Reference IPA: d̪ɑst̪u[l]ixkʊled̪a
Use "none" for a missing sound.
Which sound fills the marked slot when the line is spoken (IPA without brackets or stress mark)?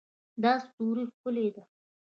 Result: ɾ